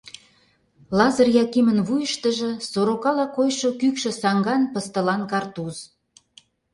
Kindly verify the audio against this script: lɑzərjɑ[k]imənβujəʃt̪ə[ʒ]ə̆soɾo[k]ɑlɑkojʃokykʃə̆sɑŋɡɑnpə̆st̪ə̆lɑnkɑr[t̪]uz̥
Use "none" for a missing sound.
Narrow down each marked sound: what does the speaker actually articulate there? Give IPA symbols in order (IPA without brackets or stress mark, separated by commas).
k, ʒ, k, t̪